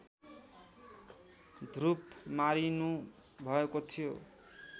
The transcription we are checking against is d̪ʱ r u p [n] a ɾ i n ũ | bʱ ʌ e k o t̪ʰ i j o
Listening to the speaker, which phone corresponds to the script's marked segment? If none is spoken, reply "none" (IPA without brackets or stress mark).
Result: m